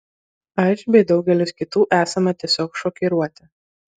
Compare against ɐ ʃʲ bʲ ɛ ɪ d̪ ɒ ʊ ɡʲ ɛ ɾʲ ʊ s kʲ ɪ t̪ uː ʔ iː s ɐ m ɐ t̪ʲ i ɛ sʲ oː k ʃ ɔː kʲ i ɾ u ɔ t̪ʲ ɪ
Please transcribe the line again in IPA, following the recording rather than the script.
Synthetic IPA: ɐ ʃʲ bʲ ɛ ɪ d̪ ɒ ʊ ɡʲ ɛ lʲ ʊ s kʲ ɪ t̪ uː ʔ æː s ɐ m ɐ t̪ʲ i ɛ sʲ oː k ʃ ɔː kʲ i ɾ u ɔ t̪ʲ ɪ

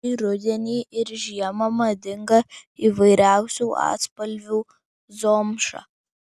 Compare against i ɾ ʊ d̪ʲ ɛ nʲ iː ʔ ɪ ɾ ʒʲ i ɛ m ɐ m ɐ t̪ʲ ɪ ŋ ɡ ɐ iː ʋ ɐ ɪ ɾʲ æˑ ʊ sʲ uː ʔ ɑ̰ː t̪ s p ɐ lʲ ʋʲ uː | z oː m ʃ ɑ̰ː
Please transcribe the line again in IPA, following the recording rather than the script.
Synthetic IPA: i ɾ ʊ d̪ʲ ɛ nʲ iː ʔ ɪ ɾ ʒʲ i ɛ m ɐ m ɐ d̪ʲ ɪ ŋ ɡ ɐ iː ʋ ɐ ɪ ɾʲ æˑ ʊ sʲ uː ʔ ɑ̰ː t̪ s p ɐ lʲ ʋʲ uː | z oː m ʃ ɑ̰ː

